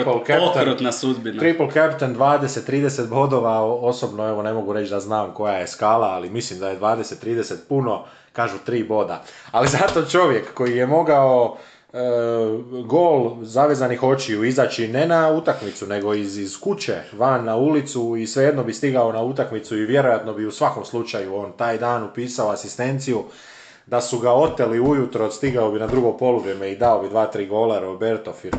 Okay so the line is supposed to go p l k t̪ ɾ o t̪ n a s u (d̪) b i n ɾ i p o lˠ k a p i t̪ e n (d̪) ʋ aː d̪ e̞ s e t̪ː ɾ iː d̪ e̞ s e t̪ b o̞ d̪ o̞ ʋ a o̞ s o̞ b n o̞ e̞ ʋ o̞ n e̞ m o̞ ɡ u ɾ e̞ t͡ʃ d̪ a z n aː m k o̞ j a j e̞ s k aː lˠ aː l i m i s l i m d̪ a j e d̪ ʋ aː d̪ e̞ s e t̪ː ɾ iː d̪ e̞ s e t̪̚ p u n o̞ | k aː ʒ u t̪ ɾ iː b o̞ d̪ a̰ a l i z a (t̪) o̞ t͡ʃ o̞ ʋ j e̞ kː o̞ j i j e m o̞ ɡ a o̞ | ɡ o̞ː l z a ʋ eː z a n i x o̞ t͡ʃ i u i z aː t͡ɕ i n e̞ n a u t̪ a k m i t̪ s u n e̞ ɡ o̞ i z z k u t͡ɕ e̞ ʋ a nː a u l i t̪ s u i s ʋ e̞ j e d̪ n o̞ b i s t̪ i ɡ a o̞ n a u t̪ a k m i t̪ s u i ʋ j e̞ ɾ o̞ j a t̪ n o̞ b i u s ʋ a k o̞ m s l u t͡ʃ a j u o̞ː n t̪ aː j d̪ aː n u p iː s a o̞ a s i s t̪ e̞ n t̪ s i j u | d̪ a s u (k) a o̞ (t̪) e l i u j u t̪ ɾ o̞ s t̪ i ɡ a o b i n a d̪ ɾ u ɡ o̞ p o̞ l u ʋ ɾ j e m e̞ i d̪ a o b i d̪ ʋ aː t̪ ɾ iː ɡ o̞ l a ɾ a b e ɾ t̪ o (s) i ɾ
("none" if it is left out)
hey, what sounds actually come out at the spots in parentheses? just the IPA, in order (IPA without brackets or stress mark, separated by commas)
d̪, d̪, t̪, ɡ, t̪, f